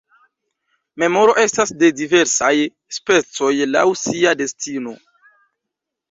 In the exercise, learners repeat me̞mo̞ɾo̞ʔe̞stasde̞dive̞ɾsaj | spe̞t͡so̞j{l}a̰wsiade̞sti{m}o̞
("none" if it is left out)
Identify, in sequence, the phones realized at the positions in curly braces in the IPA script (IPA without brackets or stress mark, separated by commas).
l, n